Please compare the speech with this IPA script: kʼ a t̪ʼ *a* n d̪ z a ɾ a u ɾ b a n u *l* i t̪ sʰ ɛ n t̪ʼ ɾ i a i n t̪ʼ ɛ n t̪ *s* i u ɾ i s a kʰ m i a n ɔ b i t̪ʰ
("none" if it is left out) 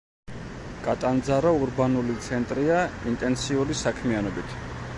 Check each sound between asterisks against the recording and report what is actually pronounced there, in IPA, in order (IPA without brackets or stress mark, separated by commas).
a, l, s